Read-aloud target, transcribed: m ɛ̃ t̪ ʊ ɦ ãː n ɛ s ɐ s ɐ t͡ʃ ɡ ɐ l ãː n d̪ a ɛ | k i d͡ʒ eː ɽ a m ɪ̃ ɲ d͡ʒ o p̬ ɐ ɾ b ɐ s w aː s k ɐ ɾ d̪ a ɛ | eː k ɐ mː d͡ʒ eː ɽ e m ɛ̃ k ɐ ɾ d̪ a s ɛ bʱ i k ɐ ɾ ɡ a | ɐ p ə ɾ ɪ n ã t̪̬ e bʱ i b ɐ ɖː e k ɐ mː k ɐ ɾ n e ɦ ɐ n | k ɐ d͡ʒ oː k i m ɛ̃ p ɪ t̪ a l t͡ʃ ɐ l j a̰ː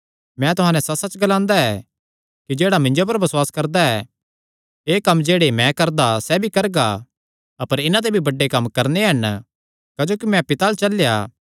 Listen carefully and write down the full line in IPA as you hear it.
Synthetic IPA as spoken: m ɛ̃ t̪ ʊ ɦ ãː n ɛ s ɐ s ɐ t͡ʃ ɡ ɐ l ãː n d̪ a ɛ | k i d͡ʒ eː ɽ a m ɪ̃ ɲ d͡ʒ o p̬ ɐ ɾ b ɐ s w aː s k ɐ ɾ d̪ a ɛ | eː k ɐ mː d͡ʒ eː ɽ e m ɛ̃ k ɐ ɾ d̪ a s ɛ bʱ i k ɐ ɾ ɡ a | ɐ p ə ɾ ɪ n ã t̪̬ e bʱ i b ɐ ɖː e k ɐ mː k ɐ ɾ n e ɦ ɐ n | k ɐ d͡ʒ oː k i m ɛ̃ p ɪ t̪ a l t͡ʃ ɐ l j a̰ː